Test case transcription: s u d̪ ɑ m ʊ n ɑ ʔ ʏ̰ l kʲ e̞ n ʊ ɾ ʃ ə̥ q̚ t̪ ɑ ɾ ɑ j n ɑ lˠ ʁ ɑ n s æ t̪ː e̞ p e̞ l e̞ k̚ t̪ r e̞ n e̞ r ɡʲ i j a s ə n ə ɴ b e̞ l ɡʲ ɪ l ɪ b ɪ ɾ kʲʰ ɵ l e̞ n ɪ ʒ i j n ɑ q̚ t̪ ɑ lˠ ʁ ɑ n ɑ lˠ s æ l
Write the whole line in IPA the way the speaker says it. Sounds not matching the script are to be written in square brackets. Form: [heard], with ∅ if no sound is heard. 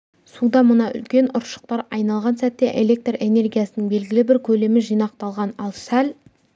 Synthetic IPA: s u d̪ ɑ m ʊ n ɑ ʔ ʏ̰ l kʲ e̞ n ʊ ɾ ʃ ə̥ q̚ t̪ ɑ ɾ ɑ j n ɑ lˠ ʁ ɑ n s æ t̪ː e̞ [ʔ] e̞ l e̞ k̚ t̪ r e̞ n e̞ r ɡʲ i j a s ə n ə ɴ b e̞ l ɡʲ ɪ l ɪ b ɪ ɾ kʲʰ ɵ l e̞ [m] ɪ ʒ i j n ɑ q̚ t̪ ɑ lˠ ʁ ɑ n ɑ lˠ s æ l

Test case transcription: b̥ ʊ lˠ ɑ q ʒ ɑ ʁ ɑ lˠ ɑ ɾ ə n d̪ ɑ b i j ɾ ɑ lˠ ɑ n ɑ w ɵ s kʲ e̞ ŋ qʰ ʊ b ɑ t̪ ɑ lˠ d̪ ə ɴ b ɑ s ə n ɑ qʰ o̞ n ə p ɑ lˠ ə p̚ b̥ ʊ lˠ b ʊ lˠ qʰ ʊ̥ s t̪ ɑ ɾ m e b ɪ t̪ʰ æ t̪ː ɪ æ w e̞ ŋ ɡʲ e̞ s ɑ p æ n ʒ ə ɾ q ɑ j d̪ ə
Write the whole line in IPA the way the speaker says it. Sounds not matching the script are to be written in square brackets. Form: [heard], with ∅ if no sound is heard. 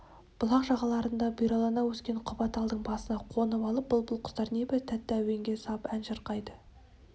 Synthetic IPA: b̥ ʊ lˠ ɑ q ʒ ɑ ʁ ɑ lˠ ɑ ɾ ə n d̪ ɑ b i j ɾ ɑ lˠ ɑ n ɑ w ɵ s kʲ e̞ [ɴ] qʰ ʊ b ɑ t̪ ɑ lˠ d̪ ə ɴ b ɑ s ə n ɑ qʰ o̞ n ə p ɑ lˠ ə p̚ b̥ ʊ lˠ b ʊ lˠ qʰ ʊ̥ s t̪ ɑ ɾ [n] e b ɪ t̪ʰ æ t̪ː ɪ æ w e̞ ŋ ɡʲ e̞ s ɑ p æ n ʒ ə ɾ q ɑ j d̪ ə

